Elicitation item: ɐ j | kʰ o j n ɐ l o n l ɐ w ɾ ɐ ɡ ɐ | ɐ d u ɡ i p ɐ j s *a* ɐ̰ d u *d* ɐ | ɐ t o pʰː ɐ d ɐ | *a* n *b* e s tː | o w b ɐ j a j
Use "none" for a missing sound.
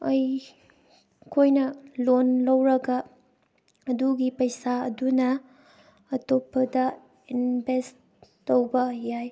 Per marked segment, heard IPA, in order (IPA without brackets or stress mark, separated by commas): a, n, i, b